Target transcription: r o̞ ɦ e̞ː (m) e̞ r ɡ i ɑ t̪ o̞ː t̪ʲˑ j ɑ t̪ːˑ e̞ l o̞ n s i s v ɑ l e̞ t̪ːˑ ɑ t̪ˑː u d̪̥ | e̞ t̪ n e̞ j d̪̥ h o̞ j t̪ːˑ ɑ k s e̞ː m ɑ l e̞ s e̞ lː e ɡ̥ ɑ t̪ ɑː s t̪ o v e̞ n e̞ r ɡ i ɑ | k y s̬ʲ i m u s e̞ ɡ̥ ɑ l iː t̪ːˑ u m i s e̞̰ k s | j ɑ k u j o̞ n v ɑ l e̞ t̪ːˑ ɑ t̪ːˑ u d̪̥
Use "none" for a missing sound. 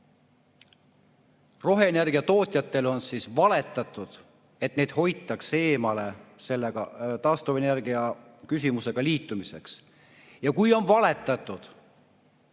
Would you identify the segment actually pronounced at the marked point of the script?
n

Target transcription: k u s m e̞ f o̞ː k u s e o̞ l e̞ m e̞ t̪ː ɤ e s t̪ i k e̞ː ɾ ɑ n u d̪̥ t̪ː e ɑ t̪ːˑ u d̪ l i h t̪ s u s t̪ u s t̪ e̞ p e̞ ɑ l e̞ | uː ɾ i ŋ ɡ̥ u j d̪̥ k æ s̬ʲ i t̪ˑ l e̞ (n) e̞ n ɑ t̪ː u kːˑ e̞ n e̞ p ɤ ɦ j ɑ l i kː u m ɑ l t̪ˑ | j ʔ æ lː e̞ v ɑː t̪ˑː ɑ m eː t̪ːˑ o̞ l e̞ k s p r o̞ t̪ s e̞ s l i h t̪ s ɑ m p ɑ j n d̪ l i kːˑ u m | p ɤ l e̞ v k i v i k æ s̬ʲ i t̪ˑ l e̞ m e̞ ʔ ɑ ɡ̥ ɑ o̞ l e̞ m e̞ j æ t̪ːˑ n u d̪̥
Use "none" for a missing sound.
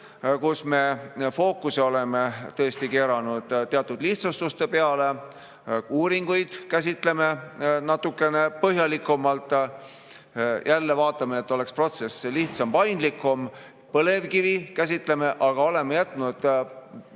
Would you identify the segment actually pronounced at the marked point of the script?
m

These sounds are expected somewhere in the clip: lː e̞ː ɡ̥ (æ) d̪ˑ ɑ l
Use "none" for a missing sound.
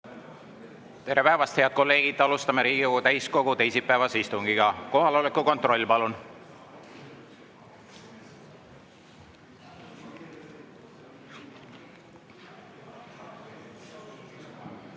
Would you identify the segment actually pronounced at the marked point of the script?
i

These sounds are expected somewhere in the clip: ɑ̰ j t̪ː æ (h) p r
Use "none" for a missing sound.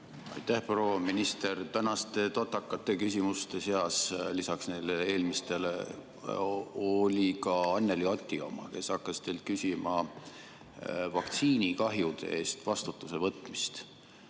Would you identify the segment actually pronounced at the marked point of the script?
h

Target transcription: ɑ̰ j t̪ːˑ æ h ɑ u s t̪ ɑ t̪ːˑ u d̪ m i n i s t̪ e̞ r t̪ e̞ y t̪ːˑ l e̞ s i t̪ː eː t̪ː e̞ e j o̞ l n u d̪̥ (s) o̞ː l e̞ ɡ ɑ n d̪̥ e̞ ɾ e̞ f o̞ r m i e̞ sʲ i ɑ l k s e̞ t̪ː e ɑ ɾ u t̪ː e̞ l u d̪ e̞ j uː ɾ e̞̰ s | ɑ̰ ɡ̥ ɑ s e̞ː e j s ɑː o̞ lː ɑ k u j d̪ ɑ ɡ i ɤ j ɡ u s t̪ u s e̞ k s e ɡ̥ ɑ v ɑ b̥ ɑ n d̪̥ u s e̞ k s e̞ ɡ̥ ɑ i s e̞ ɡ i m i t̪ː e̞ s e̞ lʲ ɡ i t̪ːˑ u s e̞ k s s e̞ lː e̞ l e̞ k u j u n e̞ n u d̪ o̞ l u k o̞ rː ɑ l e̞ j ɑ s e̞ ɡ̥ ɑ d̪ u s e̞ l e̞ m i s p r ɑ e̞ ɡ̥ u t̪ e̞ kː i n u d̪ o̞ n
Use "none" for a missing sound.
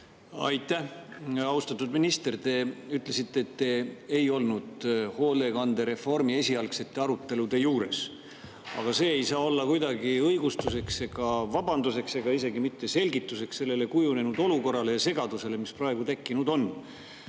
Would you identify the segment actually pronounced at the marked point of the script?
h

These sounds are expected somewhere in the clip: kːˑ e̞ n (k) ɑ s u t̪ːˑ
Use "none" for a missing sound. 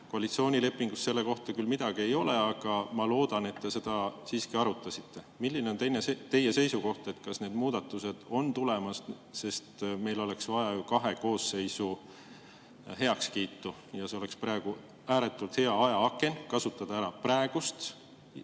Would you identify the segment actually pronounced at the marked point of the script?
k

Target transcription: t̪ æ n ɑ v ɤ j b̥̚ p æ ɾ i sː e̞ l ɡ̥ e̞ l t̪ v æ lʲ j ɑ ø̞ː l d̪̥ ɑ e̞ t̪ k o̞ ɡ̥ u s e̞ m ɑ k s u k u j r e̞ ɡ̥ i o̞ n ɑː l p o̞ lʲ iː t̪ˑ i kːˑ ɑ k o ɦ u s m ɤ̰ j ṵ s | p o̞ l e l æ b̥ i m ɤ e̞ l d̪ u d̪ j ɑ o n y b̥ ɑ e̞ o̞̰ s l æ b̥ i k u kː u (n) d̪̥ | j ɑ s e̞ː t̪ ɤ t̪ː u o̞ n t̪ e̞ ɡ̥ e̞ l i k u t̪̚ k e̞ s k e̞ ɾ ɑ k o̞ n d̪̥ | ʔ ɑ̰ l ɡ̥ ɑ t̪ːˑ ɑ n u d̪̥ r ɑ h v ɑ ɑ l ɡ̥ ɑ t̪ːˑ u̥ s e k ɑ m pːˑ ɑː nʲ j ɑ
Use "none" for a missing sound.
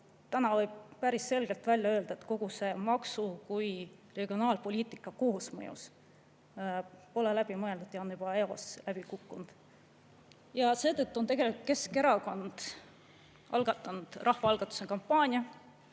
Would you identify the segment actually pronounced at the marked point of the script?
n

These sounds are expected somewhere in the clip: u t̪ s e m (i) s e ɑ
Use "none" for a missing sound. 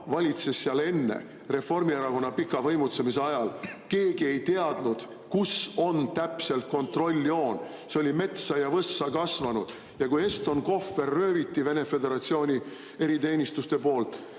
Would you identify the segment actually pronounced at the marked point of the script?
i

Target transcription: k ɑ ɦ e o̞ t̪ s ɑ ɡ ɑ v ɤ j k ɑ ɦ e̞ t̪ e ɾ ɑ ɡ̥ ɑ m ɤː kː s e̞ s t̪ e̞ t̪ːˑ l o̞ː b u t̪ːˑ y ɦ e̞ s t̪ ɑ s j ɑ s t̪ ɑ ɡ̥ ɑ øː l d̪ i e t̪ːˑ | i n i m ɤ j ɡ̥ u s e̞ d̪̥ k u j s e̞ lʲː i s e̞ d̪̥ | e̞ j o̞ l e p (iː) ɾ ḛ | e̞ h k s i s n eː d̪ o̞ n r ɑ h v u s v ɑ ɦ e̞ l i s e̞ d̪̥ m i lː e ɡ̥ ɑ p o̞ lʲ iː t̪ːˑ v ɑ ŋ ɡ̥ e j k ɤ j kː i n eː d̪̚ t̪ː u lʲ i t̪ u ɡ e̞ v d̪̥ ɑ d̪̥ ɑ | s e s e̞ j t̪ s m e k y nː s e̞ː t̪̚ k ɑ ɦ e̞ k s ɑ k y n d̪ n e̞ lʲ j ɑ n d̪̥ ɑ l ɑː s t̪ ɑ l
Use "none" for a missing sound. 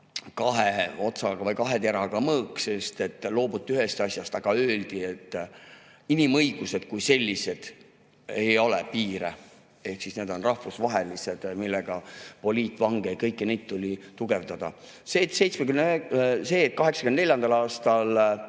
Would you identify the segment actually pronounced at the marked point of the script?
iː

